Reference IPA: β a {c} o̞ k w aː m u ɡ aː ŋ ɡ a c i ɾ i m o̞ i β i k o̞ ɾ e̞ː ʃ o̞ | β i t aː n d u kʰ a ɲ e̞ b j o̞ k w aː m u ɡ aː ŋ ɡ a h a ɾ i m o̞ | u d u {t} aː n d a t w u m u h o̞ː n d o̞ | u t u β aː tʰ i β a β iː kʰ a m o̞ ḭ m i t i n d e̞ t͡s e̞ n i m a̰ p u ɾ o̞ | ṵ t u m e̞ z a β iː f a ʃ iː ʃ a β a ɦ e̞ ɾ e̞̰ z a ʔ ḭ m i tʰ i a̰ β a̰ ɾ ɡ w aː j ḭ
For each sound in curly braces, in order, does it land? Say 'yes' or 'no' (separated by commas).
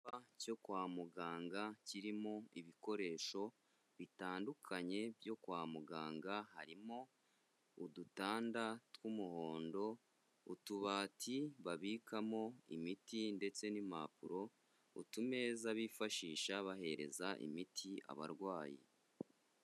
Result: yes, yes